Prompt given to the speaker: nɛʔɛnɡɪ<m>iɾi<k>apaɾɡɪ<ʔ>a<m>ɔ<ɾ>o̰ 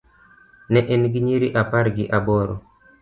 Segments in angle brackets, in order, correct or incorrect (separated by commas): incorrect, incorrect, correct, incorrect, correct